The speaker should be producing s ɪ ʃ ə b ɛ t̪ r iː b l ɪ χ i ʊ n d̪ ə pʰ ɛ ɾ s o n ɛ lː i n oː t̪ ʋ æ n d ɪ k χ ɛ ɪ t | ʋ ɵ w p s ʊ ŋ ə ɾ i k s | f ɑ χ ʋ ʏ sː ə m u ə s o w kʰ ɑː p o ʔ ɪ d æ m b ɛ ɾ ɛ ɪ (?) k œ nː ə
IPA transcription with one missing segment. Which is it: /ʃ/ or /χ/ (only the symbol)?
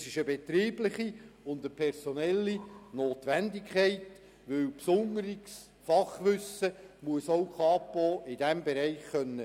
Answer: χ